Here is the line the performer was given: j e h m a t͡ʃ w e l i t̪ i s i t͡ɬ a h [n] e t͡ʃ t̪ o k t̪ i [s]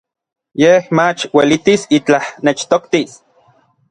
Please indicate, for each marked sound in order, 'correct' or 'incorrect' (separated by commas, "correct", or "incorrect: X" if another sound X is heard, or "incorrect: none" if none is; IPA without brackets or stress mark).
correct, correct